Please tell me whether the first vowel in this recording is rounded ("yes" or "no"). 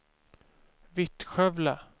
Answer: no